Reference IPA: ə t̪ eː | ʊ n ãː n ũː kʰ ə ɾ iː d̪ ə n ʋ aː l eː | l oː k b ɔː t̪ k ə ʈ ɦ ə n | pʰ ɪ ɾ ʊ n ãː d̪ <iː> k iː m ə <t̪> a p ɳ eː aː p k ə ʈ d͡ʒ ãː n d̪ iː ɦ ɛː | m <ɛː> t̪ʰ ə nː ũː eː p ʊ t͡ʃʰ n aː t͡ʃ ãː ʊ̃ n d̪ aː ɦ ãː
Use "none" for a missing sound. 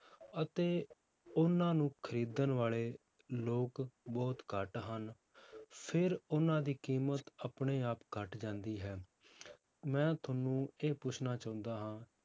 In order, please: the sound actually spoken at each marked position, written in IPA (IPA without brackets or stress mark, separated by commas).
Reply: iː, t̪, ɛ̃ː